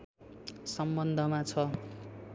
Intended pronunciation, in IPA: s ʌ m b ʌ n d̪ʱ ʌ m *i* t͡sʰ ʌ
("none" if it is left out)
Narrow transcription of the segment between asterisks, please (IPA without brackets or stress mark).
a